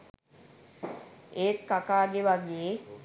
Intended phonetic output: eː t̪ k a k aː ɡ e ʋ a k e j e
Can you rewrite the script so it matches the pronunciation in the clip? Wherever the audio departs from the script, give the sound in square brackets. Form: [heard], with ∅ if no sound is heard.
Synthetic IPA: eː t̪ k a k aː ɡ e ʋ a [ɡ] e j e